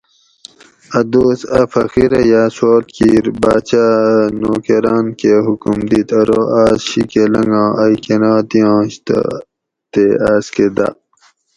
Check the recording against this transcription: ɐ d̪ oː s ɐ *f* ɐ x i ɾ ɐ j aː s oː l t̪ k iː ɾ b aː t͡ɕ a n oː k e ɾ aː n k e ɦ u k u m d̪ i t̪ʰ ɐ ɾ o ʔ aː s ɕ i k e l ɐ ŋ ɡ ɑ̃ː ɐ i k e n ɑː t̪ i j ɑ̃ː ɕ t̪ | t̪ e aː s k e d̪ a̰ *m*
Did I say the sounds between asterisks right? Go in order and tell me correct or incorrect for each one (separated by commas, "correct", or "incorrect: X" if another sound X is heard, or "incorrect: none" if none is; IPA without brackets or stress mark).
correct, incorrect: none